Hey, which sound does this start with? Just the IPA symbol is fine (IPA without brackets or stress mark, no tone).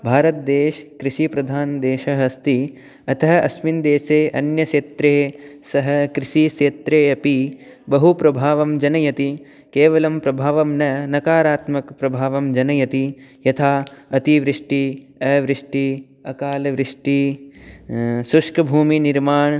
bʱ